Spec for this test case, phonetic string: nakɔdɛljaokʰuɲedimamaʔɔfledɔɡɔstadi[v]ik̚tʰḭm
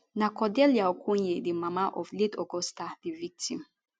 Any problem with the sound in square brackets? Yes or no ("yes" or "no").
no